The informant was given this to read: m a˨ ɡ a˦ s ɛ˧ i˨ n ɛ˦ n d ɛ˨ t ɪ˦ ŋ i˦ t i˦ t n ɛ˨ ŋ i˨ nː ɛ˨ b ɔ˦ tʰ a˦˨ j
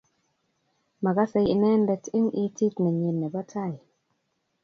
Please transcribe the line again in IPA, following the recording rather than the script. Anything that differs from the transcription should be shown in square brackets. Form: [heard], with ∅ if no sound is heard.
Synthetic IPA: m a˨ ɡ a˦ s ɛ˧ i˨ n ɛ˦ n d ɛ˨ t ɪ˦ ŋ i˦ t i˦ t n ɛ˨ [ɲ] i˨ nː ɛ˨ b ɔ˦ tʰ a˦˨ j